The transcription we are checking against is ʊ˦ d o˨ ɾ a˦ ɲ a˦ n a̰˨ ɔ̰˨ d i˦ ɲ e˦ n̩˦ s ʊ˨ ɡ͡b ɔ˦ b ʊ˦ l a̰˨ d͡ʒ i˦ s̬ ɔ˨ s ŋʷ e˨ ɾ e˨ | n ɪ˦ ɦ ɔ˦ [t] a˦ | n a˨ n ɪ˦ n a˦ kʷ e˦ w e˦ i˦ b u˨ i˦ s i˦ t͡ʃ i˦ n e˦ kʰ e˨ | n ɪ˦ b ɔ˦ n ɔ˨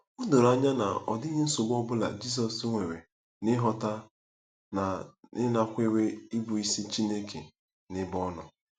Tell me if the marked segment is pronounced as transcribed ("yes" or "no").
yes